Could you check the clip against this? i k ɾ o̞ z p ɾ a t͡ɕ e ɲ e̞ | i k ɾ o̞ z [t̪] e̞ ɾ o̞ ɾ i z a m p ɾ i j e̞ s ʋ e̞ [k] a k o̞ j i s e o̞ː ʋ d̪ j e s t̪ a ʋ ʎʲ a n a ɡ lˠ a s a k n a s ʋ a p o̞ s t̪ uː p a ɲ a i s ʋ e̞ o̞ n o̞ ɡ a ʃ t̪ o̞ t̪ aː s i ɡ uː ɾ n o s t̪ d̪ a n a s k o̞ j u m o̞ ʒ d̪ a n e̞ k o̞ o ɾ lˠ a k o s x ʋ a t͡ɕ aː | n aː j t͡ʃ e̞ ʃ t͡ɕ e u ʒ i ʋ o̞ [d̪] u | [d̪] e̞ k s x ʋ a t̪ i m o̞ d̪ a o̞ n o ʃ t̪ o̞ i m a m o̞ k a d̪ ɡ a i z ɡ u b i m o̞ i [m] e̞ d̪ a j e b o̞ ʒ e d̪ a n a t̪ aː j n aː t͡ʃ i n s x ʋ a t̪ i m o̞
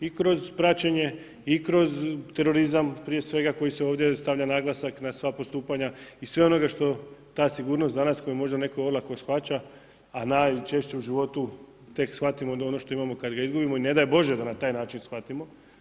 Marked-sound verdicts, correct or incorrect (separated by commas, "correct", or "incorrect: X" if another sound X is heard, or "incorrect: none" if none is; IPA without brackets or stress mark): correct, incorrect: ɡ, incorrect: t̪, incorrect: t̪, incorrect: n